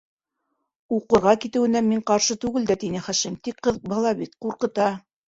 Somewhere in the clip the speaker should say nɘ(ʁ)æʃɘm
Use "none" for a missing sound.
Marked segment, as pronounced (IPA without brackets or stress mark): χ